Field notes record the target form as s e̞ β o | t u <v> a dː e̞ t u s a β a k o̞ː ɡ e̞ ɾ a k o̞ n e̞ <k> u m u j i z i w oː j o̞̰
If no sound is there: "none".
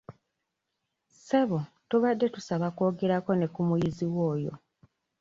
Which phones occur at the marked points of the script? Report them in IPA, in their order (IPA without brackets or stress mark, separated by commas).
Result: β, k